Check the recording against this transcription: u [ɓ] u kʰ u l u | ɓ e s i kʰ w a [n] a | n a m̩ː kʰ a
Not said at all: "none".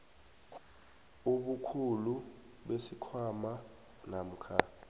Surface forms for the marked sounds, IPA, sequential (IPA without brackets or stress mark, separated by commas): ɓ, m